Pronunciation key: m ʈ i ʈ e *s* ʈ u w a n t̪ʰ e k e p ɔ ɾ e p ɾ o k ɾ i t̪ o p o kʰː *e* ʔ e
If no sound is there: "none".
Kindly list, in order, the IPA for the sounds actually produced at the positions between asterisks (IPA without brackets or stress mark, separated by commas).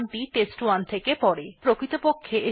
s, e